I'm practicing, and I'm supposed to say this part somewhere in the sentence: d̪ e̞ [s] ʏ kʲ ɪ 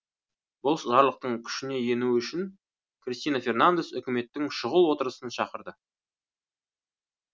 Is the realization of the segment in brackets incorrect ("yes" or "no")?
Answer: no